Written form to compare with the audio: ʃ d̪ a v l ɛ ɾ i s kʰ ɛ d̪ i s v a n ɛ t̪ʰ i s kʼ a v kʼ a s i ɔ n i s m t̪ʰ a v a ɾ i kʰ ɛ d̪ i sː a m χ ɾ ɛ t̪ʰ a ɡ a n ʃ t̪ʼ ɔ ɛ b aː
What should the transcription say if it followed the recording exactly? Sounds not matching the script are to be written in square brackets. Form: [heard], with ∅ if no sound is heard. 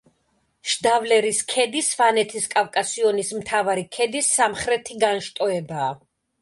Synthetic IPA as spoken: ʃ d̪ a v l ɛ ɾ i s kʰ ɛ d̪ i s v a n ɛ t̪ʰ i s kʼ a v kʼ a s i ɔ n i s m t̪ʰ a v a ɾ i kʰ ɛ d̪ i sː a m χ ɾ ɛ t̪ʰ [i] ɡ a n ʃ t̪ʼ ɔ ɛ b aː